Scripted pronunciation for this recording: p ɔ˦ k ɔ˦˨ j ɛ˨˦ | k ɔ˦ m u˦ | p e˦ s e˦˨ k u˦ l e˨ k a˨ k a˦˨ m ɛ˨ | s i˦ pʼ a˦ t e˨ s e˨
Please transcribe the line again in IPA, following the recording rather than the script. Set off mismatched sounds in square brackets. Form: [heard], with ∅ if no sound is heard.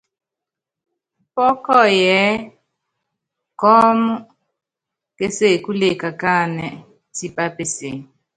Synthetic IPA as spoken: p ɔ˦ k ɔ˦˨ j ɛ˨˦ | k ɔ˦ m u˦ | [k] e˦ s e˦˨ k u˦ l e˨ k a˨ k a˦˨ [n] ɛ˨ | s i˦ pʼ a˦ [p] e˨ s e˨